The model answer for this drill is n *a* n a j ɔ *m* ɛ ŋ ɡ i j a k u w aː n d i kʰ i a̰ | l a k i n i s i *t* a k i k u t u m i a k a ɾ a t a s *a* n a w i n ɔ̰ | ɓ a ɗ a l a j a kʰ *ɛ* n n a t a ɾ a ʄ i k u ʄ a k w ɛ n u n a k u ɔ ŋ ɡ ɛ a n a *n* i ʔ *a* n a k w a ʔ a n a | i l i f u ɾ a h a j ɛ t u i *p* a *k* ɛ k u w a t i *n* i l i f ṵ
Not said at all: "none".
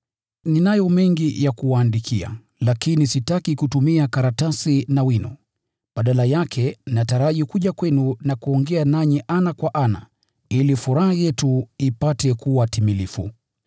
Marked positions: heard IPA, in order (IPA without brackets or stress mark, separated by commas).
i, m, t, i, ɛ, ɲ, a, p, t, m